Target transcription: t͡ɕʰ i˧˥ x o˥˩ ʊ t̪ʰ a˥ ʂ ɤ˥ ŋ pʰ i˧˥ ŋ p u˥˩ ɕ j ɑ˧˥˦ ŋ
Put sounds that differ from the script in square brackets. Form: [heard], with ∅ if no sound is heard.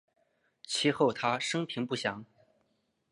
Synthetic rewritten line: t͡ɕʰ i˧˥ x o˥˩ ʊ t̪ʰ a˥ ʂ ɤ˥ ŋ pʰ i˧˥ ŋ p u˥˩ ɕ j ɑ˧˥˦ ŋ